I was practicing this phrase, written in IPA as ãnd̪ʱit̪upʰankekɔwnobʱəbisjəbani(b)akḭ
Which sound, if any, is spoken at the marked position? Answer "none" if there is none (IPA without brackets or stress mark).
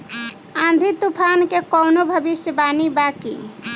b